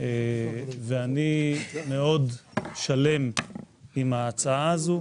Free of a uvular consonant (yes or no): yes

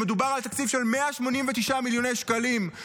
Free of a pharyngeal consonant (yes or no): yes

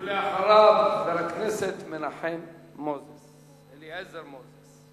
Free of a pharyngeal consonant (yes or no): no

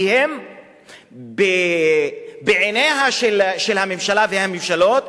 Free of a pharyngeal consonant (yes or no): no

